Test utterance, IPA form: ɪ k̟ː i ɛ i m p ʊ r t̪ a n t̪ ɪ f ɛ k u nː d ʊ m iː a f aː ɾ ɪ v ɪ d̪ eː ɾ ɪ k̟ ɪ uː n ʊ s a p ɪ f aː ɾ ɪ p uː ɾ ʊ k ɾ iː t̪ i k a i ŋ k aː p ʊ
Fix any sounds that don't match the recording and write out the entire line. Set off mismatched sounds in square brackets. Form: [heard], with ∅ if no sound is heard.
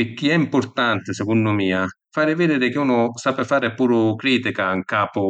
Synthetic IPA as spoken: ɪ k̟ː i ɛ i m p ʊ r t̪ a n t̪ ɪ [s] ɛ k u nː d ʊ m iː a f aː ɾ ɪ v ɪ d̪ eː ɾ ɪ k̟ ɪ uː n ʊ s a p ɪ f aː ɾ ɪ p uː ɾ ʊ k ɾ iː t̪ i k a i ŋ k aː p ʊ